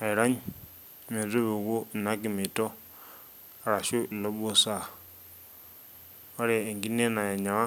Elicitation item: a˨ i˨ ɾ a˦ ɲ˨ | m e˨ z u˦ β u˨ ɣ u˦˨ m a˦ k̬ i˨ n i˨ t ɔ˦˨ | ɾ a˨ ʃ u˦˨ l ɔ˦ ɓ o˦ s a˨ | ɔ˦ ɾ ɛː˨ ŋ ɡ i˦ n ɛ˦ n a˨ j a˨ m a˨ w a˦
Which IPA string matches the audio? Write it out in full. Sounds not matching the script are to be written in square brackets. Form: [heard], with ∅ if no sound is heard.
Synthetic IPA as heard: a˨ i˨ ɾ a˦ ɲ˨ | m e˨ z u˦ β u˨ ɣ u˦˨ [n] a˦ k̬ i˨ [m] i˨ t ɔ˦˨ | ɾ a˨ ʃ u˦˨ l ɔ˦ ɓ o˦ s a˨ | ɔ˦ ɾ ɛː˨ ŋ ɡ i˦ n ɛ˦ n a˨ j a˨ [ɲ] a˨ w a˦